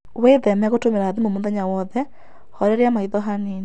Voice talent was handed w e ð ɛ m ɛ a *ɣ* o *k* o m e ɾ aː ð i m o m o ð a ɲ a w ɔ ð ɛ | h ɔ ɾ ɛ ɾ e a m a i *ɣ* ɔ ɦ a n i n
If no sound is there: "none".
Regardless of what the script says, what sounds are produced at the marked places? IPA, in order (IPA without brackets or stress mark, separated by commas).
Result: ɣ, t, ð